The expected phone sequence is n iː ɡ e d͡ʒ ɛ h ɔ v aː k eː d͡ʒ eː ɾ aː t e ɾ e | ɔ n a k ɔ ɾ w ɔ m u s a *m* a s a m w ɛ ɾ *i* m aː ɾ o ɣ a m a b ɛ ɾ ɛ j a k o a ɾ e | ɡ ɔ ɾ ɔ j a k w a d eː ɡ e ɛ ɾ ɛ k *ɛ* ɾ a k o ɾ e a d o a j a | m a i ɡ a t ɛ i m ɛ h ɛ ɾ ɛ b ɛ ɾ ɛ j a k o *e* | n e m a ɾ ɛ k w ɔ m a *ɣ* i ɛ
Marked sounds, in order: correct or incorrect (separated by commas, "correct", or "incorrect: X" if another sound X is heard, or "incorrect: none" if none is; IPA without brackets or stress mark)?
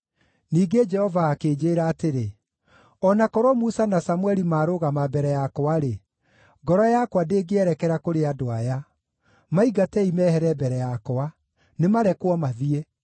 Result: incorrect: n, correct, correct, incorrect: a, incorrect: ð